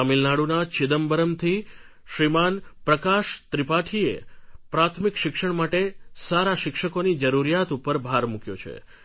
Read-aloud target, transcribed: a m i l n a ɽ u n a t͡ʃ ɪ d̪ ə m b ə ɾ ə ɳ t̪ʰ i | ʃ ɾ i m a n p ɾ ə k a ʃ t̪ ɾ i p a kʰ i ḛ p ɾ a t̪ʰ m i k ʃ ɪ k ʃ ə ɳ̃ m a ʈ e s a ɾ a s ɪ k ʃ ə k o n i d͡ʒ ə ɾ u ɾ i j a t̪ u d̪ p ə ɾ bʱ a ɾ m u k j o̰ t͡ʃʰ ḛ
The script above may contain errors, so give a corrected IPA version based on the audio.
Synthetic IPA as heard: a m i l n a ɽ u n a t͡ʃ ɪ d̪ ə m b ə ɾ ə m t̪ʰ i | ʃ ɾ i m a n p ɾ ə k a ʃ t̪ ɾ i p a ʈʰ i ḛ p ɾ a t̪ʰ m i k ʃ ɪ k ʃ ə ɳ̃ m a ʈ e s a ɾ a ʃ ɪ k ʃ ə k o n i d͡ʒ ə ɾ u ɾ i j a t̪ u p ə ɾ bʱ a ɾ m u k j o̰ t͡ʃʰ ḛ